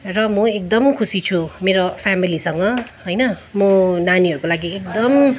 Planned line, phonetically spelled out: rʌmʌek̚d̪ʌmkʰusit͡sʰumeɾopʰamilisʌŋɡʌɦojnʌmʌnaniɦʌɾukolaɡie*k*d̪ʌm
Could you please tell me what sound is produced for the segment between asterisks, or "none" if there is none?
k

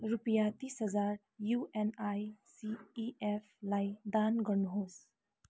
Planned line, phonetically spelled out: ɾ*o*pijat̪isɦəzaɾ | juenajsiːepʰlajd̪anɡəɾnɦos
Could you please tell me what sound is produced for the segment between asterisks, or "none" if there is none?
u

